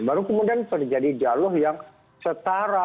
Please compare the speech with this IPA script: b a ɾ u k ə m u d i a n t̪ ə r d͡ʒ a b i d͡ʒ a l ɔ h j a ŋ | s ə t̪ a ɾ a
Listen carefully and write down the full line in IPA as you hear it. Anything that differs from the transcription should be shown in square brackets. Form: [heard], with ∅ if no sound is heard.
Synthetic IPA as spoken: b a ɾ u k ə m u d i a n t̪ ə r d͡ʒ a [d] i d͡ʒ a l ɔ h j a ŋ | s ə t̪ a ɾ a